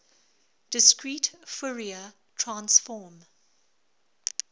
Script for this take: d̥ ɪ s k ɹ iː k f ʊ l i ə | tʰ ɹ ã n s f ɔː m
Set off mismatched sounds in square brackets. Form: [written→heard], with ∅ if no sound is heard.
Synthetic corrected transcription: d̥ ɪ s k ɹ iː [k→t] f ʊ [l→ɹ] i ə | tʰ ɹ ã n s f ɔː m

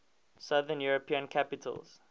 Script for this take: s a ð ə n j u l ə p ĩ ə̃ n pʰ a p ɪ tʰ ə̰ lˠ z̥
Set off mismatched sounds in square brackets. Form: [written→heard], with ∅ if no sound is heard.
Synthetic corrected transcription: s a ð ə n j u [l→ɹ] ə p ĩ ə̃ n [pʰ→kʰ] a p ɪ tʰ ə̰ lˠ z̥

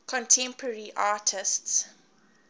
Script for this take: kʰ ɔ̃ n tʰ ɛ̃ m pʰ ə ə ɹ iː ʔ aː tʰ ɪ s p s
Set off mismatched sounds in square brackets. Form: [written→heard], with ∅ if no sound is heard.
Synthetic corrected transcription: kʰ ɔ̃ n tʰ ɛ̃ m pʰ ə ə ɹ [iː→i] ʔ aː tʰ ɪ s [p→t] s

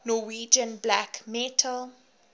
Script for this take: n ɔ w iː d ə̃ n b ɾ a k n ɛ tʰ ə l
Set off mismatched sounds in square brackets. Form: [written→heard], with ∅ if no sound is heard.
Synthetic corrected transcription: n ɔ w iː [d→d͡ʒ] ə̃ n b [ɾ→l] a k [n→m] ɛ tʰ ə l

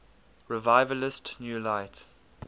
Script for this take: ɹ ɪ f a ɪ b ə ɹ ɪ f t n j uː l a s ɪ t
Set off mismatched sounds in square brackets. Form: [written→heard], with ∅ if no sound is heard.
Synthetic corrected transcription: ɹ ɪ [f→v] a ɪ [b→v] ə [ɹ→l] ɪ [f→s] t n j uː l a [s→∅] ɪ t

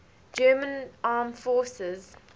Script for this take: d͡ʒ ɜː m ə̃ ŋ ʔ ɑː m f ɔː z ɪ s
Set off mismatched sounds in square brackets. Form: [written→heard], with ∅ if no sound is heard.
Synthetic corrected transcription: d͡ʒ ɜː m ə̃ [ŋ→n] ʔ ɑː m f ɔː [z→s] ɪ [s→z]

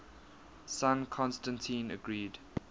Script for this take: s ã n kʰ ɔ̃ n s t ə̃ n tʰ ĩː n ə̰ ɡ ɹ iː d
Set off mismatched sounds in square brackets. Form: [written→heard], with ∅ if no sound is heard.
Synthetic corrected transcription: s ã n kʰ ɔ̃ n s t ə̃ n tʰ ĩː n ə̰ ɡ ɹ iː d

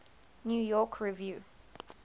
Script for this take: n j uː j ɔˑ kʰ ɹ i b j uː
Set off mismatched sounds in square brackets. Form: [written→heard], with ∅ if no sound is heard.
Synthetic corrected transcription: n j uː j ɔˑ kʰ ɹ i [b→v] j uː

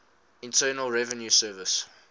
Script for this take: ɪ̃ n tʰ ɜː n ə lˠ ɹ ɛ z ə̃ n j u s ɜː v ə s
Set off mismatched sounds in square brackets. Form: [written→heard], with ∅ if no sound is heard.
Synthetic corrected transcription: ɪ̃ n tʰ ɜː n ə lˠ ɹ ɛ [z→v] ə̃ n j u s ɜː v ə s

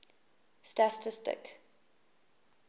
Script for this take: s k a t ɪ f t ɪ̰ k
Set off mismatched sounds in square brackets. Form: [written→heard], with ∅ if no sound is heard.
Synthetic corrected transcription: s [k→t] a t ɪ [f→s] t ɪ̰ k

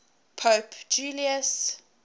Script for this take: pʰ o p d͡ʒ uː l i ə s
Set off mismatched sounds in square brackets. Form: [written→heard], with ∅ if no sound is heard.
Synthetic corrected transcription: pʰ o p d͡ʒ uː l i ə s

